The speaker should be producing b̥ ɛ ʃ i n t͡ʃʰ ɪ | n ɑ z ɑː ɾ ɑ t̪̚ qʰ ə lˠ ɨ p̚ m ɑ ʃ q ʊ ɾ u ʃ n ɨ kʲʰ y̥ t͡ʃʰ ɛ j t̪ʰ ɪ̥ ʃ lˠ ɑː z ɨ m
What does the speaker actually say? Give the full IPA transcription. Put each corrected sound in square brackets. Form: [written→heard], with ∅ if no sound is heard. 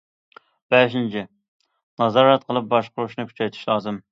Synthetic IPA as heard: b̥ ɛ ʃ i n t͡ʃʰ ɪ | n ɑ z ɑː ɾ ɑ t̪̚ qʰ ə lˠ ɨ p̚ [m→b] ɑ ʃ q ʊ ɾ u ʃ n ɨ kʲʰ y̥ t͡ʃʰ ɛ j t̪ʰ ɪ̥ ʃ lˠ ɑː z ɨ m